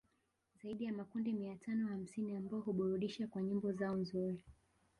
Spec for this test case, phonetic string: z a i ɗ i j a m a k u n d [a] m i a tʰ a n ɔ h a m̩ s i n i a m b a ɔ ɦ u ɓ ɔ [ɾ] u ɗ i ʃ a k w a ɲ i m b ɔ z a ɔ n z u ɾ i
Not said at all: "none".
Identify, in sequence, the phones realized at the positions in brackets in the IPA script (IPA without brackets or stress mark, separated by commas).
i, ɾ